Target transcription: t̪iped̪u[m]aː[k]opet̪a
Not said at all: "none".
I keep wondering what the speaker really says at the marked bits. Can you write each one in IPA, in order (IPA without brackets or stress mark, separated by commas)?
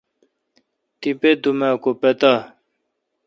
m, k